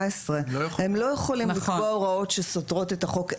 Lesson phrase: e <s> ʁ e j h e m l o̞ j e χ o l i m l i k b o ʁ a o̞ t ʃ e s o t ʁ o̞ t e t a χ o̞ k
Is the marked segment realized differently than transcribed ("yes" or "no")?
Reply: no